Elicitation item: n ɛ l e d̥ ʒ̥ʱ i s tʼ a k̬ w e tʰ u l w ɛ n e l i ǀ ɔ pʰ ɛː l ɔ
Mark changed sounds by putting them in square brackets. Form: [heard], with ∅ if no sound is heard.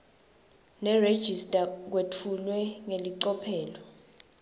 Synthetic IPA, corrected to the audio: n ɛ [r] e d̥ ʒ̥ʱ i s tʼ a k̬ w e tʰ u l w ɛ [ŋ] e l i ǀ ɔ pʰ ɛː l ɔ